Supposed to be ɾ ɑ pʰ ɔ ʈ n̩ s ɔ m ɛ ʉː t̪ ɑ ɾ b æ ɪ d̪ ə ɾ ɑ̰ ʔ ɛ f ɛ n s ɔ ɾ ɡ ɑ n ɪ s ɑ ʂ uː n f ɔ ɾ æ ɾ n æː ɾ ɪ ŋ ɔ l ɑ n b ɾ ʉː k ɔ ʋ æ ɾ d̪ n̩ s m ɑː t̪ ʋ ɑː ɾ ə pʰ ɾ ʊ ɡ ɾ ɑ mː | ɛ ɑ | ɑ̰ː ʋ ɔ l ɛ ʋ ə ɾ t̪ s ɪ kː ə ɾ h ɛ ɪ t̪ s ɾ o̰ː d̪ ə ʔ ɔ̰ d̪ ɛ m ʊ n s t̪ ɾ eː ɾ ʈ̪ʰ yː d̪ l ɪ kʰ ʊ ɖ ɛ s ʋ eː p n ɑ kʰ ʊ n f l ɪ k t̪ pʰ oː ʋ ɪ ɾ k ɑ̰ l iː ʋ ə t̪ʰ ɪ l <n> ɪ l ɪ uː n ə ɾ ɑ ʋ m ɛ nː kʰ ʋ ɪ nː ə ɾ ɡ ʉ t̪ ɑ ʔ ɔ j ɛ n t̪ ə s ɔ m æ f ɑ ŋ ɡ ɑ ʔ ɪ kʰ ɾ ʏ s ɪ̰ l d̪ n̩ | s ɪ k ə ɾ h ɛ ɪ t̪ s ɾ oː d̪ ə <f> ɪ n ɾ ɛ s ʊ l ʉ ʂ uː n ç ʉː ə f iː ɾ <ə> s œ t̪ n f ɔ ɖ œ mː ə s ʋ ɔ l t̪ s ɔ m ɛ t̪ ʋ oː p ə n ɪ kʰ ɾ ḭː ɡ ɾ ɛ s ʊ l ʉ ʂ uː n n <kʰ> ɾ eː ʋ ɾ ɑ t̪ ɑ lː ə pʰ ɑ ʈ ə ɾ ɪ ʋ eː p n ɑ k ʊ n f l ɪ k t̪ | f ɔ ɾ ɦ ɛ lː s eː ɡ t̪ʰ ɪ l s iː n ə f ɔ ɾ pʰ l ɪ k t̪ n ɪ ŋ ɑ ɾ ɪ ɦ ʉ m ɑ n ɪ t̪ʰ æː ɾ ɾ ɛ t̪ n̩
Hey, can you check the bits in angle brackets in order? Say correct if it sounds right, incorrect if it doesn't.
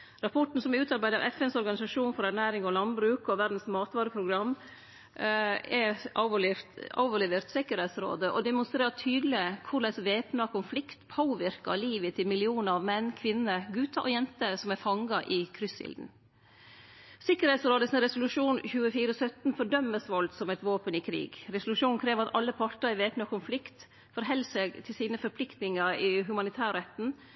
incorrect: m, incorrect: s, correct, correct

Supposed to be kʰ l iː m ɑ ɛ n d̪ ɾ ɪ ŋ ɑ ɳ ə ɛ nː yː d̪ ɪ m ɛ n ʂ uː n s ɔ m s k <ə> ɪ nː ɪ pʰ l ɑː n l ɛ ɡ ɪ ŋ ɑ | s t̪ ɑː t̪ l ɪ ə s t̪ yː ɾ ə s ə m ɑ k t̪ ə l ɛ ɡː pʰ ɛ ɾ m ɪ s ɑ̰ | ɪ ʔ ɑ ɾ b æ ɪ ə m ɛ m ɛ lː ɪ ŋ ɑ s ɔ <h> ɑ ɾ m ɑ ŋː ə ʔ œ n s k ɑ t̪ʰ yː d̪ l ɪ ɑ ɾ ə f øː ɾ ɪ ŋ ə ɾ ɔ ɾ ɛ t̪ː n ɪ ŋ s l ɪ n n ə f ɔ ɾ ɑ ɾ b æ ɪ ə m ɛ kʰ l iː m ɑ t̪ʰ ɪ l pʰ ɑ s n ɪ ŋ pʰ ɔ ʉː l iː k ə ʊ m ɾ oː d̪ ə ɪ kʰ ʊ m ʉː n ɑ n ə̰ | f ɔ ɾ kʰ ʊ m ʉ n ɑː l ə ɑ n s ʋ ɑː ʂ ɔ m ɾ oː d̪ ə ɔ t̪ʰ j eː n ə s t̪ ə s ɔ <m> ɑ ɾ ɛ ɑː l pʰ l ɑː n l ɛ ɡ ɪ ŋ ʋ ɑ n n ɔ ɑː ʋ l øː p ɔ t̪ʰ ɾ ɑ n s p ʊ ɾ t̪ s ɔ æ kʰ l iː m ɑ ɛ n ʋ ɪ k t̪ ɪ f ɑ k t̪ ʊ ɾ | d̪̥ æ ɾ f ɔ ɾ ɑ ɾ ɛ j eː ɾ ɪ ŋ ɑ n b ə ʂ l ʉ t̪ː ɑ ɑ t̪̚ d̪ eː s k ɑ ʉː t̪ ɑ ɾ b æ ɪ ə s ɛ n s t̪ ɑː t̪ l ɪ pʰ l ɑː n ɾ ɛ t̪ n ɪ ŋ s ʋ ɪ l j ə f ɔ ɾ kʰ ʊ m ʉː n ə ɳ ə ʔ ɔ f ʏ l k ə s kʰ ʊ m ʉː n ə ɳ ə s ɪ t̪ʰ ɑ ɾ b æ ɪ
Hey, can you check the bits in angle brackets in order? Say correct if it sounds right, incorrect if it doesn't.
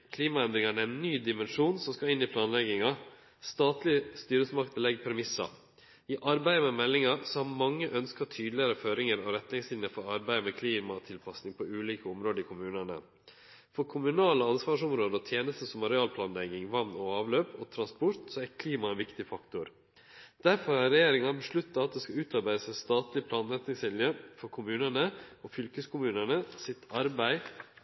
incorrect: ɑ, correct, correct

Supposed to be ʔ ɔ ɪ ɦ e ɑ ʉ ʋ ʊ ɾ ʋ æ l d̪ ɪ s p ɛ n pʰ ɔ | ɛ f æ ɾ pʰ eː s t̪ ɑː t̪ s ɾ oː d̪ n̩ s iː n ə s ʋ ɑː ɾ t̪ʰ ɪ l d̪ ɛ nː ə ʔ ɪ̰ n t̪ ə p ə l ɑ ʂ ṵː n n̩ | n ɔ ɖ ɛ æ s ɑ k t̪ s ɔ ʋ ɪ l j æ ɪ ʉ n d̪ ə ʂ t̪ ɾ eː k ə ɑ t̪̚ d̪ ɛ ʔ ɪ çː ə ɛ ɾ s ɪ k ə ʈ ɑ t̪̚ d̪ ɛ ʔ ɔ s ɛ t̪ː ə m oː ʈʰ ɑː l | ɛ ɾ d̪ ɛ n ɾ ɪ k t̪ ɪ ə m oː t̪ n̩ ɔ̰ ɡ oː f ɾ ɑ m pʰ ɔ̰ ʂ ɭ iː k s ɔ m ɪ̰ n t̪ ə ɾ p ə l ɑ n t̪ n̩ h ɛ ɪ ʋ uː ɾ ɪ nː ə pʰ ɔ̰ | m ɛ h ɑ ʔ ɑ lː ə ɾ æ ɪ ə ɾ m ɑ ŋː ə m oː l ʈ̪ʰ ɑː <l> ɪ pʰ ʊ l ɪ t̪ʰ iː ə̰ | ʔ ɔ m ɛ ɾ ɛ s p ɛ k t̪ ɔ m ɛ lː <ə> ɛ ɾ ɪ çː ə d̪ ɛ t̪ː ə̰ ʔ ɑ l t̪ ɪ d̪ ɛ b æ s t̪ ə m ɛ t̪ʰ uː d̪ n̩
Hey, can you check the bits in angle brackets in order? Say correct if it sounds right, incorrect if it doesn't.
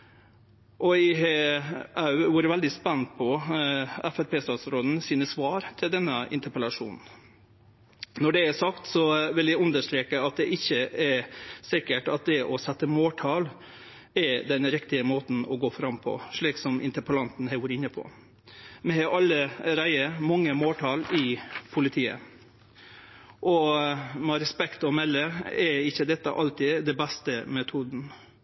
correct, correct

